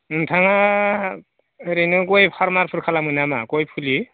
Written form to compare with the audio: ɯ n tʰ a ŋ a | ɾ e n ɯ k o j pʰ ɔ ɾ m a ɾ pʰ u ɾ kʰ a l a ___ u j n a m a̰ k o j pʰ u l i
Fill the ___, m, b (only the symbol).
m